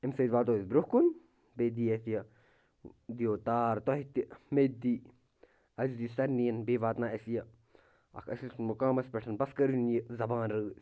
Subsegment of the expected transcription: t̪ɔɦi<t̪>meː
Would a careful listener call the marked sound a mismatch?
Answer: no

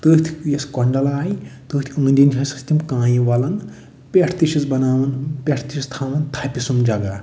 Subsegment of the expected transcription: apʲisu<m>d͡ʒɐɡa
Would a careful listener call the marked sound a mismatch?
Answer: no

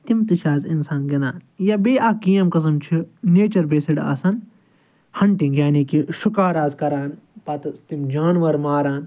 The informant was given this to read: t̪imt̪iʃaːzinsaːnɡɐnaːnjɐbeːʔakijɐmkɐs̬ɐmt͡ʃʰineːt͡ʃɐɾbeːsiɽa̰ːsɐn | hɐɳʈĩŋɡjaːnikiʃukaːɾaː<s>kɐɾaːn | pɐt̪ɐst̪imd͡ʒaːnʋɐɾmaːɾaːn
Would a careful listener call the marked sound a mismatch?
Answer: yes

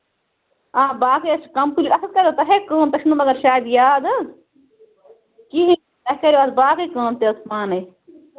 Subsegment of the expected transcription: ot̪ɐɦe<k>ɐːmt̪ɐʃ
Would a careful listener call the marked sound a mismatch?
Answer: no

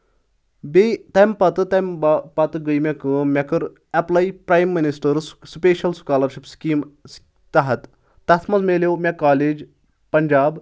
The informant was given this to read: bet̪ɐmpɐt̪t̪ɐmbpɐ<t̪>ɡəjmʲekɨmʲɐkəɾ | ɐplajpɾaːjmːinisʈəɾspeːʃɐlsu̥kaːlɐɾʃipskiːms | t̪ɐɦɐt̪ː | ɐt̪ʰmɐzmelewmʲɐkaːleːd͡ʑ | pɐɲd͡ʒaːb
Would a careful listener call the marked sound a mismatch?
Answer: no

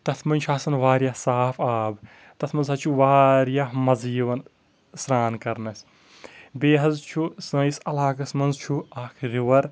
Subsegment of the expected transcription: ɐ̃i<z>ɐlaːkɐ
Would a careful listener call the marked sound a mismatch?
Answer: yes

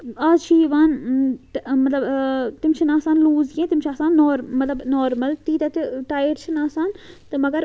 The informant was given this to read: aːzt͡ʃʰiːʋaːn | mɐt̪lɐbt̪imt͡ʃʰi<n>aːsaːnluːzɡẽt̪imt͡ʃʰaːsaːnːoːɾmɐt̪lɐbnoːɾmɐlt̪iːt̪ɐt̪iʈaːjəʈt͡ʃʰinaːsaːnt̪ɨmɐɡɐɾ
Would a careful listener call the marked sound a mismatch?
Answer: no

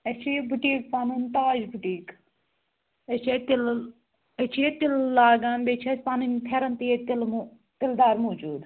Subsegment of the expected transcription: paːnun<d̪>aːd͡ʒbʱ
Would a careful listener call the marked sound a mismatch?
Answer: yes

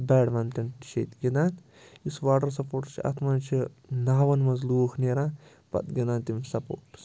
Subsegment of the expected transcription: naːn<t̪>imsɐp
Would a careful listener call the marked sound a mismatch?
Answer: no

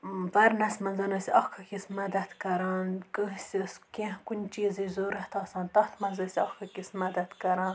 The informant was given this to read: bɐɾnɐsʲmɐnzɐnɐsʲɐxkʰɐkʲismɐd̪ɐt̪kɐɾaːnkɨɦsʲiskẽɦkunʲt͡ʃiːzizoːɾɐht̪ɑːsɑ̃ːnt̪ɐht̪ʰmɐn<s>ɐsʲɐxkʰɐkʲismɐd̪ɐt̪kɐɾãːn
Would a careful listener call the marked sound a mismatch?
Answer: yes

